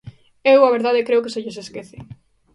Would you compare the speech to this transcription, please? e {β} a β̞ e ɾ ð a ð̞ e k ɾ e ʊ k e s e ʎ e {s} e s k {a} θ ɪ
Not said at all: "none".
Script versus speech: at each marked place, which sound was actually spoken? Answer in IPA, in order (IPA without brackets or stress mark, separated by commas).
w, s, e